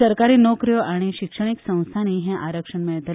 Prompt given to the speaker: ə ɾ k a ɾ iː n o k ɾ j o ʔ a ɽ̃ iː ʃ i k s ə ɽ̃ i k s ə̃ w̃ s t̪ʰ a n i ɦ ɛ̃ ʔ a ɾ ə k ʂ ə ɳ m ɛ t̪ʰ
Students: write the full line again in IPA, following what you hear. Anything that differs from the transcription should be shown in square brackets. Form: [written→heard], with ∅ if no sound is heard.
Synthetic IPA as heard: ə ɾ k a ɾ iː n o k ɾ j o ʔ a ɽ̃ [iː→i] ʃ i k [s→ʂ] ə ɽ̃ i k s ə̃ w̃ s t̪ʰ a n i ɦ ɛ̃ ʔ a ɾ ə k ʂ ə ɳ m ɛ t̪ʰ